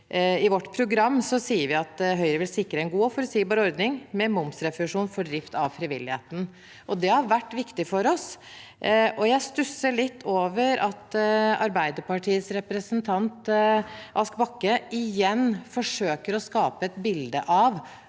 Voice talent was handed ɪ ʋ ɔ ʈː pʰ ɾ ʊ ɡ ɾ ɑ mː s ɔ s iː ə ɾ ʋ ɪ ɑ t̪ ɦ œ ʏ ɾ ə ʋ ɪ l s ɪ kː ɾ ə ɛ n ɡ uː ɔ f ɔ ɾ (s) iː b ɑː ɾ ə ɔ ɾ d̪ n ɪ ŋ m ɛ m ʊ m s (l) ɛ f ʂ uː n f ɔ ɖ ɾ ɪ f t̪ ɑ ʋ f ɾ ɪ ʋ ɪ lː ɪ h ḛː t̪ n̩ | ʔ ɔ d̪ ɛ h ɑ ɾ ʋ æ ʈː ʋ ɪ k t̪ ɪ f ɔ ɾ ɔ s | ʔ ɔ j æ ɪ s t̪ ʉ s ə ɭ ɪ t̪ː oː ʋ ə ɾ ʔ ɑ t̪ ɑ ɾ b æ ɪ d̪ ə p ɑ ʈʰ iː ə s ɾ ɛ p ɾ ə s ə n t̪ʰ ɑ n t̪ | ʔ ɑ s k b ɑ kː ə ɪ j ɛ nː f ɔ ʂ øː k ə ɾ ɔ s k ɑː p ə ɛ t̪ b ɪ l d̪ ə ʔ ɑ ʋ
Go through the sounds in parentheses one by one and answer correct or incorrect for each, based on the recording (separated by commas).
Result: correct, incorrect